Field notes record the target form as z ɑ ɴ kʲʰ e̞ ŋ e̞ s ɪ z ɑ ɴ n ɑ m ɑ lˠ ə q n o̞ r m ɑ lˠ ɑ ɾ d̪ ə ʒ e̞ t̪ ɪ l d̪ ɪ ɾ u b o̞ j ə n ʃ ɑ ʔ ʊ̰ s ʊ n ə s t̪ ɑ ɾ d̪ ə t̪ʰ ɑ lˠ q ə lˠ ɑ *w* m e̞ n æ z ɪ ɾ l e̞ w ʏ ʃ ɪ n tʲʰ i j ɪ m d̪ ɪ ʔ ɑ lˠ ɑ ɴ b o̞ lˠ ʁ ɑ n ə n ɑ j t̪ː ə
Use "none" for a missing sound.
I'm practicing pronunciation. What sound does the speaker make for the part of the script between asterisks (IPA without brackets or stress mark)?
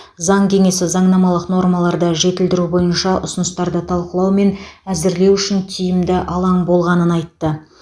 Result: w